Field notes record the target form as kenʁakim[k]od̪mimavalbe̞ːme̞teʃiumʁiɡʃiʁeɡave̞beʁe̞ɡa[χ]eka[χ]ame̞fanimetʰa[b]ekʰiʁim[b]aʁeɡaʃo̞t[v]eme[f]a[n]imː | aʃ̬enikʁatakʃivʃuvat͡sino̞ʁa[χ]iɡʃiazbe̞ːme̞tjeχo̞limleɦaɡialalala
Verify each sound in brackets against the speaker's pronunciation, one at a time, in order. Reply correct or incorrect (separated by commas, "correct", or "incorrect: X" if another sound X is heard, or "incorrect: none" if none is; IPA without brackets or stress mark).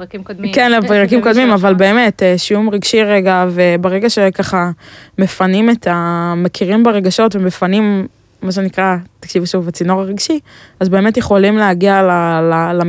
correct, incorrect: ʃ, correct, incorrect: m, correct, correct, correct, correct, incorrect: ʁ